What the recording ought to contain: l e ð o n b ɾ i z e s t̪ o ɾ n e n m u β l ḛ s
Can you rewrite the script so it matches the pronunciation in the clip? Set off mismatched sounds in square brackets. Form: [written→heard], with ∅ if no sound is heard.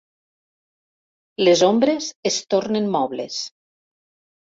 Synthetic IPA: l e [ð→z] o [n→m] b ɾ [i→e] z e s t̪ o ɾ n e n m [u→ɔ] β l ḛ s

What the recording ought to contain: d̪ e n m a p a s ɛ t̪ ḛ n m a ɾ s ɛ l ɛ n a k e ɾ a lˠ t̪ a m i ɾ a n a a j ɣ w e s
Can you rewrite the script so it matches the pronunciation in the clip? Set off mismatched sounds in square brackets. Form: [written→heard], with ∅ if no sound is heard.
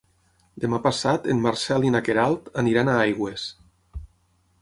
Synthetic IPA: d̪ e [n→∅] m a p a s [ɛ→a] t̪ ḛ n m a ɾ s ɛ l [ɛ→i] n a k e ɾ a lˠ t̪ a [m→n] i ɾ a n a a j ɣ w e s

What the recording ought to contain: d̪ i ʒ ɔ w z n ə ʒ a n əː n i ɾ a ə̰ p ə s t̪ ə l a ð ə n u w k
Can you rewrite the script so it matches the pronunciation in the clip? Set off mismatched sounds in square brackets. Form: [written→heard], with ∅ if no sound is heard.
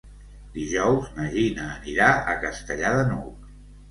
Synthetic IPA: d̪ i ʒ ɔ w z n ə ʒ [a→i] n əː n i ɾ a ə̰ [p→k] ə s t̪ ə [l→ʎ] a ð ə n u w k

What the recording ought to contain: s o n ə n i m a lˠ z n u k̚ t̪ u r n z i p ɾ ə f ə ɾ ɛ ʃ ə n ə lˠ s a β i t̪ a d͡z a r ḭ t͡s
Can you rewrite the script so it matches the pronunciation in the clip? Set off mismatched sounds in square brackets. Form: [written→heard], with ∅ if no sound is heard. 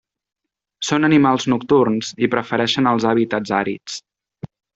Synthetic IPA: s o n ə n i m a lˠ z n u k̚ t̪ u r n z i p ɾ ə f ə ɾ ɛ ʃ ə n ə lˠ [s→z] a β i t̪ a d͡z a [r→ɾ] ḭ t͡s

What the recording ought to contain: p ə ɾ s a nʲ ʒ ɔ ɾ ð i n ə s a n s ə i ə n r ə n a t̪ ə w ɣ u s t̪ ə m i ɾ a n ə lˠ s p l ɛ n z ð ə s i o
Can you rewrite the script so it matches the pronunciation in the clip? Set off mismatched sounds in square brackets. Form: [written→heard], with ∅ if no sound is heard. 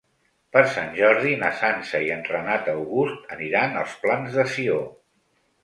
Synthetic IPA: p ə ɾ s a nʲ ʒ ɔ ɾ ð i n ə s a n s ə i ə n r ə n a t̪ ə w ɣ u s t̪ ə [m→n] i ɾ a n ə lˠ s p l [ɛ→a] n z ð ə s i o

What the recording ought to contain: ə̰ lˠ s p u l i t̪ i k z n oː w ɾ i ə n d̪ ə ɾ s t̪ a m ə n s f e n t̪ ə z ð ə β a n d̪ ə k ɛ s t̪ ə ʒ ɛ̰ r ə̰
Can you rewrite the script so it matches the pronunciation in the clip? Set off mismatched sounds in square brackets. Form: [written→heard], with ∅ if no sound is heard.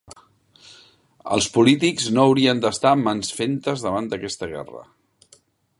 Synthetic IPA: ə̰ lˠ s p u l i t̪ i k z n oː w ɾ i ə n d̪ ə [ɾ→∅] s t̪ a m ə n s f e n t̪ ə z ð ə β a n d̪ ə k ɛ s t̪ ə [ʒ→ɣ] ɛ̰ r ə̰

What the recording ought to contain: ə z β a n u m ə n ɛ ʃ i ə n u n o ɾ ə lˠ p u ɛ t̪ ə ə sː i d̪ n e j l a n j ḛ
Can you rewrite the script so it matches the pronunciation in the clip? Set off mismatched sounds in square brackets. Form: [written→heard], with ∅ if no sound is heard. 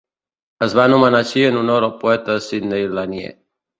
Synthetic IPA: ə z β a n u m ə n [ɛ→a] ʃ i ə n u n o ɾ ə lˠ p u ɛ t̪ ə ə [sː→s] i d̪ n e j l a n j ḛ

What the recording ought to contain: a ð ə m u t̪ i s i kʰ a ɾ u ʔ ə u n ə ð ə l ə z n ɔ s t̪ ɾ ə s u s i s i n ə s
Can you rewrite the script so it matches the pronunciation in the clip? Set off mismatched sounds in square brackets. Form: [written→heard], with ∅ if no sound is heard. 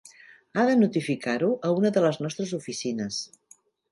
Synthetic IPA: a ð ə [m→n] u t̪ i [s→f] i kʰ a ɾ u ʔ ə u n ə ð ə l ə z n ɔ s t̪ ɾ ə [s→z] u [s→f] i s i n ə s

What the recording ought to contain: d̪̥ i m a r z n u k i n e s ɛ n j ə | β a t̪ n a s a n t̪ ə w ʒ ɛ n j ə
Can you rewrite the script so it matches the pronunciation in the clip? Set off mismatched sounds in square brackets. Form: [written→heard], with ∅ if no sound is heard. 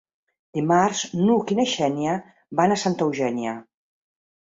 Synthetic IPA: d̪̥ i m a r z n u k i n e [s→ʃ] ɛ n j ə | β a [t̪→∅] n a s a n t̪ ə w ʒ ɛ n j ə

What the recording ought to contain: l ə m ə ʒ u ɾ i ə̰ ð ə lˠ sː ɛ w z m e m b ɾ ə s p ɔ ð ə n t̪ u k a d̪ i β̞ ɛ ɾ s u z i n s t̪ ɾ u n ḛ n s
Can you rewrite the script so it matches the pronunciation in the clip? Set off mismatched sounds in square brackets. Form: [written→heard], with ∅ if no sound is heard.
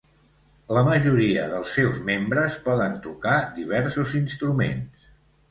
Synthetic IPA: l ə m ə ʒ u ɾ i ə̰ ð ə lˠ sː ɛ w z m e m b ɾ ə s p ɔ ð ə n t̪ u k a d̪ i β̞ ɛ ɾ s u z i n s t̪ ɾ u [n→m] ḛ n s

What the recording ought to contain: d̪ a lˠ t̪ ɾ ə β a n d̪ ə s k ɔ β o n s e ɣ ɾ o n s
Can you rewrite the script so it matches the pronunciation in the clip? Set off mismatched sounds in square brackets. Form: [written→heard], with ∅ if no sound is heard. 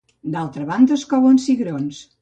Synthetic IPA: d̪ a lˠ t̪ ɾ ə β a n d̪ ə s k ɔ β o n s [e→i] ɣ ɾ o n s

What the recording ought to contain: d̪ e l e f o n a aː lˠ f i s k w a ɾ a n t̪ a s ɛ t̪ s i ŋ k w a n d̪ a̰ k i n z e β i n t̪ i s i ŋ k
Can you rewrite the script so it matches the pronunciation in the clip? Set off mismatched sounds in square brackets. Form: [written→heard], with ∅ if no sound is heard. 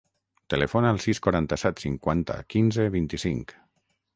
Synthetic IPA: [d̪→t̪] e l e f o n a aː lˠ [f→s] i s k w a ɾ a n t̪ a s ɛ t̪ s i ŋ k w a n [d̪→t̪] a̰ k i n z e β i n t̪ i s i ŋ k

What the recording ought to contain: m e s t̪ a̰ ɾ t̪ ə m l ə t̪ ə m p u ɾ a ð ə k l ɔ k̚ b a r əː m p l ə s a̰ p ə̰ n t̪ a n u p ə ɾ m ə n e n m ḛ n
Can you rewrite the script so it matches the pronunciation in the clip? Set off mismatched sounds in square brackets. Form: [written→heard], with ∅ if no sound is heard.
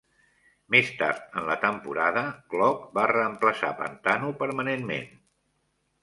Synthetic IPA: m e s t̪ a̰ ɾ t̪ ə [m→n] l ə t̪ ə m p u ɾ a ð ə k l ɔ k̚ b a r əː m p l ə s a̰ p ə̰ n t̪ a n u p ə ɾ m ə n e n m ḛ n

